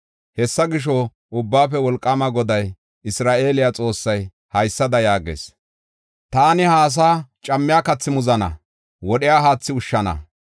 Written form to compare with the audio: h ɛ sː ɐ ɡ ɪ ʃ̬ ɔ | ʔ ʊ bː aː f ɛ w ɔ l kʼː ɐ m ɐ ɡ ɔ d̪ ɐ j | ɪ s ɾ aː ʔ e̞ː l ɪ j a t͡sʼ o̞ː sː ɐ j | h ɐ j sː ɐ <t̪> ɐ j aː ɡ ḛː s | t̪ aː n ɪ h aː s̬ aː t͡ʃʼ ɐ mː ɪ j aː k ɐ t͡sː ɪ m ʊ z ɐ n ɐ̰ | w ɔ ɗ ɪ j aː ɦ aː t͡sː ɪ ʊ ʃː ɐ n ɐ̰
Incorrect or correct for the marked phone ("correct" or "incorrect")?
incorrect